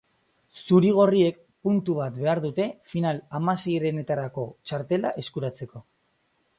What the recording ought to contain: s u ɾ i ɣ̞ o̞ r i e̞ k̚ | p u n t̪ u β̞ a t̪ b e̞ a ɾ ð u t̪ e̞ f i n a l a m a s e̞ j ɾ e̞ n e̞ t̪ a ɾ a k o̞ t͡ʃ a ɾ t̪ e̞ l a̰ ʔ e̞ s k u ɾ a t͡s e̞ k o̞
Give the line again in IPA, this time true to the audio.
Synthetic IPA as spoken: s u ɾ i ɣ̞ o̞ r i e̞ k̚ | p u n t̪ u β̞ a t̪ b e̞ a ɾ ð u t̪ e̞ f i n a l a m a s e̞ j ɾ e̞ n e̞ t̪ a ɾ a k o̞ t͡ʃ a ɾ t̪ e̞ l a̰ ʔ e̞ s k u ɾ a t͡s e̞ k o̞